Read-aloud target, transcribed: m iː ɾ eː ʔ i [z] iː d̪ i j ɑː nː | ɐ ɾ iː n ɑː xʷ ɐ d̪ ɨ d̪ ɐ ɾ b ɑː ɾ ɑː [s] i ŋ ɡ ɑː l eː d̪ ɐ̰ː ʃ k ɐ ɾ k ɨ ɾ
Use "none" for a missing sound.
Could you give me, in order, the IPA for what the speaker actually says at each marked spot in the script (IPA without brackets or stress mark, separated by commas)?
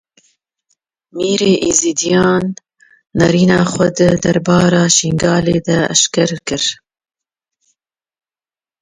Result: z, ʃ